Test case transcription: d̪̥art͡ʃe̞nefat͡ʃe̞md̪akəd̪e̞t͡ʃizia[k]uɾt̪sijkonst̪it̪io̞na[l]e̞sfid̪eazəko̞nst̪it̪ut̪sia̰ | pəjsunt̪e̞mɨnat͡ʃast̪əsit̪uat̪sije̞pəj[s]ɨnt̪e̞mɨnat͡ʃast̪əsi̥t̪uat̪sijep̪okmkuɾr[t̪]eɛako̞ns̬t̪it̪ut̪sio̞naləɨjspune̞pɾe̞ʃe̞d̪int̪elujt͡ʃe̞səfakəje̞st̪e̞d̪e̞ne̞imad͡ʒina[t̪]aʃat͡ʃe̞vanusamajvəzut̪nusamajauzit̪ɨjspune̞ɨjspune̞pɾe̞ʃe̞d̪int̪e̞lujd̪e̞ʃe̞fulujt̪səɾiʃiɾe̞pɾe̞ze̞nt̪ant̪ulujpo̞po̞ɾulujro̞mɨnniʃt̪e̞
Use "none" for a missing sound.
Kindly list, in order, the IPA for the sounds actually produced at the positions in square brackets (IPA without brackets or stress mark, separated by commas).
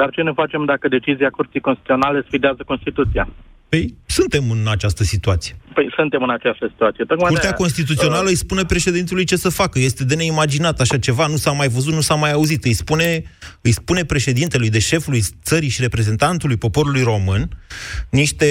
k, l, s, t̪, t̪